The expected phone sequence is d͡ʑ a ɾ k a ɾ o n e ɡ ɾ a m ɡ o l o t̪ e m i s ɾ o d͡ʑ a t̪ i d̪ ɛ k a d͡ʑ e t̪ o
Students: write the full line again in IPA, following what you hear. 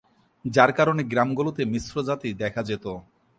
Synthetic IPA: d͡ʑ a ɾ k a ɾ o n e ɡ ɾ a m ɡ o l o t̪ e m i s ɾ o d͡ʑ a t̪ i d̪ ɛ kʰ a d͡ʑ e t̪ o